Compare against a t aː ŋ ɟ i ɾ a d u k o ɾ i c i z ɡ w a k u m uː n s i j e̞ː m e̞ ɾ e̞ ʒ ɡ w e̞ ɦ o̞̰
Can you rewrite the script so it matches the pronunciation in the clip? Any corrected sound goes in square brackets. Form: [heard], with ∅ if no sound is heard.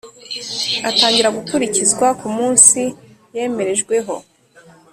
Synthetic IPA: a t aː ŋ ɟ i ɾ a [ɡ] u k [u] ɾ i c i z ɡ w a k u m uː n s i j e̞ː m e̞ ɾ e̞ ʒ ɡ w e̞ ɦ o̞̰

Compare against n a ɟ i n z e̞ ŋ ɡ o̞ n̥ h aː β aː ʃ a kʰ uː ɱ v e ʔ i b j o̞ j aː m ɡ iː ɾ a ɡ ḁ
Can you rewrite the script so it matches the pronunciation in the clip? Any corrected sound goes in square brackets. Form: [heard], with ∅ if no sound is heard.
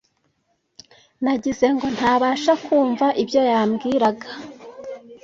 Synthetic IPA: n a ɟ i [∅] z e̞ ŋ ɡ o̞ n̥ h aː β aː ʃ a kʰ uː ɱ v [a] ʔ i b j o̞ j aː m ɡ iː ɾ a ɡ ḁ

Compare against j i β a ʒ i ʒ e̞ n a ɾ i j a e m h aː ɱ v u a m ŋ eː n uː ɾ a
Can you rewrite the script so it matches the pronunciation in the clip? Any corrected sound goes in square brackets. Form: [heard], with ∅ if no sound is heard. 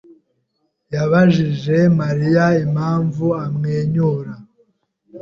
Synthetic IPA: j [a] β a ʒ i ʒ e̞ [m] a ɾ i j a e m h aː ɱ v u a m ŋ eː [ɲ] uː ɾ a

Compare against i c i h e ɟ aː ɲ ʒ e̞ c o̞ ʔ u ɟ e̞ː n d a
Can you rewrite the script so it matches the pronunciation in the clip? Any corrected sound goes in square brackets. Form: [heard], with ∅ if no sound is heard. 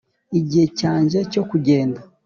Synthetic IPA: i [ɟ] i h e [c] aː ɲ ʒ e̞ c o̞ [k] u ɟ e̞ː n d a

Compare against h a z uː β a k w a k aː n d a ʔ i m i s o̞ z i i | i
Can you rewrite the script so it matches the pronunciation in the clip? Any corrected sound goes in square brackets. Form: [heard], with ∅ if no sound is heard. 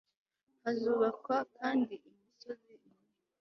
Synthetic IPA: h a z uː β a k w a k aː n d [i] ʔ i m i s o̞ z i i | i

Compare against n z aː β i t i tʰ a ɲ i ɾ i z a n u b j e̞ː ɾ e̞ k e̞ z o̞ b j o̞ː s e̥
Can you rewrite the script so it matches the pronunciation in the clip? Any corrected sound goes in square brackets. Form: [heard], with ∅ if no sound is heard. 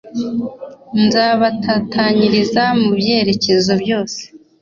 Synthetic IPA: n z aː β [a] t [a] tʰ a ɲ i ɾ i z a [m] u b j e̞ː ɾ e̞ [c] e̞ z o̞ b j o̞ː s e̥

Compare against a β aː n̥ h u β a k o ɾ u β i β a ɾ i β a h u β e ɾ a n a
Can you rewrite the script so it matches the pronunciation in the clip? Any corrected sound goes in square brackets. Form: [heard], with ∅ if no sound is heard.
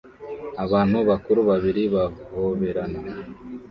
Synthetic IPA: a β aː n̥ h u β a k [u] ɾ u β [a] β [i] ɾ i β a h [o] β e ɾ a n a

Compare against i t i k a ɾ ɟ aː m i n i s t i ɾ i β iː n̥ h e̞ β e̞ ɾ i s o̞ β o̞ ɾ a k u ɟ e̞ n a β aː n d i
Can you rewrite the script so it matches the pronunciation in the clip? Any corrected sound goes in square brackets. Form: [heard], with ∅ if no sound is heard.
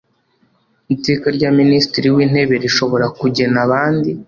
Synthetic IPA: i t i k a ɾ ɟ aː m i n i s t i ɾ i [w] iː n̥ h e̞ β e̞ ɾ i [ʃ] o̞ β o̞ ɾ a k u ɟ e̞ n a β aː n d i

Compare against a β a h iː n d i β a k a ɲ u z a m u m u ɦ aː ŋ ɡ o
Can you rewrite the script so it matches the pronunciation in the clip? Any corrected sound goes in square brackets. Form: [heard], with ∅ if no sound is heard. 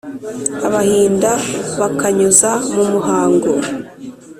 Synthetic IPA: a β a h iː n d [a] β a k a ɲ u z a m u m u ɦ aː ŋ ɡ o

